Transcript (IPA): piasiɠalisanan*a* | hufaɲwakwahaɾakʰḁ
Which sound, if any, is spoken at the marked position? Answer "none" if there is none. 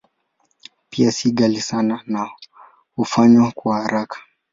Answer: a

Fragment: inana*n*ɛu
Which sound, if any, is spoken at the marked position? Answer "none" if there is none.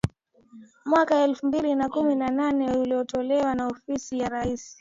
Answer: n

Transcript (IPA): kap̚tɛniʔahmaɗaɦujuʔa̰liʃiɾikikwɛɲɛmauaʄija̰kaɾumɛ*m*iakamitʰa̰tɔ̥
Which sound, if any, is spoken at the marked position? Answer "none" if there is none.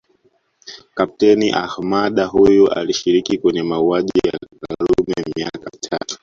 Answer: m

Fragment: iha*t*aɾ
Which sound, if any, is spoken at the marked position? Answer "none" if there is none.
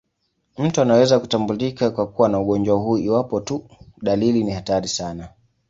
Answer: t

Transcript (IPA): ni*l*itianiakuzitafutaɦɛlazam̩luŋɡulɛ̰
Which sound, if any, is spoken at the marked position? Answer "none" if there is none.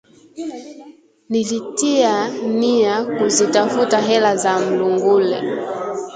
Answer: l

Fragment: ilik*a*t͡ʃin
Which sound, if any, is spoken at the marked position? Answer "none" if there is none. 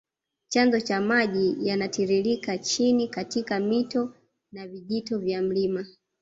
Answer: a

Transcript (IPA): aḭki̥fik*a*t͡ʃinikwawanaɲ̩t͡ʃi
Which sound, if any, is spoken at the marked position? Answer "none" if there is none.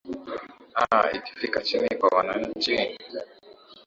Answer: a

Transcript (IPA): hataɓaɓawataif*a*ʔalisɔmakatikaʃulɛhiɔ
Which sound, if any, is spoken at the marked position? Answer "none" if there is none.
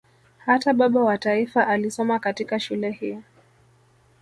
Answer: a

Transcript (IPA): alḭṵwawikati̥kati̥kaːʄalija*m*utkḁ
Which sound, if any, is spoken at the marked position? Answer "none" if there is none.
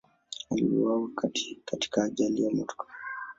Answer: m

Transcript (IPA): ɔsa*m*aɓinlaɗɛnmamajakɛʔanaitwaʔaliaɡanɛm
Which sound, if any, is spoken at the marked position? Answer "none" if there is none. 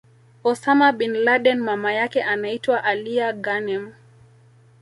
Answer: m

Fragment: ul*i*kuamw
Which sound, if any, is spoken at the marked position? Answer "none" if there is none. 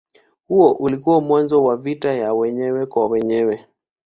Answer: i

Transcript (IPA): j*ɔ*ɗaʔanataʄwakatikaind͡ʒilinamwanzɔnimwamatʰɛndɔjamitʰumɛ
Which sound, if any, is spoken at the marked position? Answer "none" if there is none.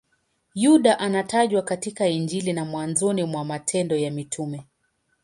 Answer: u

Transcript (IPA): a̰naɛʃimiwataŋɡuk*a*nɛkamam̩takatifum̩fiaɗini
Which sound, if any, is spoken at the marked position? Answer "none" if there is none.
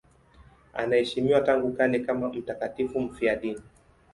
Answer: a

